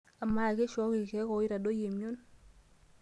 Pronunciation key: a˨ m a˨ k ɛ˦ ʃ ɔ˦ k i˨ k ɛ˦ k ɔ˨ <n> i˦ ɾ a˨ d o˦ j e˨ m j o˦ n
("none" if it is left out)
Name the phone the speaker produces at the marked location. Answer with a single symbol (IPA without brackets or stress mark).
none